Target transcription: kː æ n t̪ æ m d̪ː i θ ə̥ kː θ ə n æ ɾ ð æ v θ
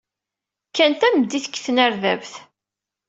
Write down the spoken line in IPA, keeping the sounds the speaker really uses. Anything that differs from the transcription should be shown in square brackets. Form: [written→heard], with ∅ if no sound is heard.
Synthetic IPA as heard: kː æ n t̪ æ m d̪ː i θ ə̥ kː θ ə n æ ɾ ð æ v θ